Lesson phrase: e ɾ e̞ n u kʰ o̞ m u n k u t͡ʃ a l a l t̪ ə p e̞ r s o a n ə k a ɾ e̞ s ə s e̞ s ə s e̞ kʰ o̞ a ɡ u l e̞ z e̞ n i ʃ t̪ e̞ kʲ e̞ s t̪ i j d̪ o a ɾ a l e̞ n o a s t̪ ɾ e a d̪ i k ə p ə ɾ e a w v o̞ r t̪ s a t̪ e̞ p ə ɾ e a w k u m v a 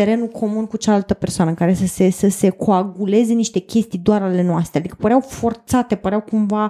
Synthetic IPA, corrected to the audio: e ɾ e̞ n u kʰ o̞ m u n k u t͡ʃ a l a l t̪ ə p e̞ r s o a n ə k a ɾ e̞ s ə s e̞ s ə s e̞ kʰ o̞ a ɡ u l e̞ z e̞ n i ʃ t̪ e̞ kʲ e̞ s t̪ i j d̪ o a ɾ a l e̞ n o a s t̪ ɾ e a d̪ i k ə p ə ɾ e a w f o̞ r t̪ s a t̪ e̞ p ə ɾ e a w k u m v a